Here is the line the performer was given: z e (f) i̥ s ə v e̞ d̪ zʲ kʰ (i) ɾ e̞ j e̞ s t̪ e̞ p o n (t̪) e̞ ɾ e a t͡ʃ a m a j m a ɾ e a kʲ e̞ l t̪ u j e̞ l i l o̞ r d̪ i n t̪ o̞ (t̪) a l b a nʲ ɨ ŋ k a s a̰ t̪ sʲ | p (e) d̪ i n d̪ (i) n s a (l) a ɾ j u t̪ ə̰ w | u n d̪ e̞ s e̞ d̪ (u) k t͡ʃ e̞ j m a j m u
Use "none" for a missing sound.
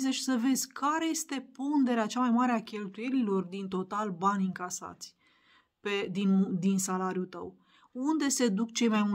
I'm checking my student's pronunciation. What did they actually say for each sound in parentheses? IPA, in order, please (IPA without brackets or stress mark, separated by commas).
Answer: ʃ, a, d̪, t̪, e, i, l, u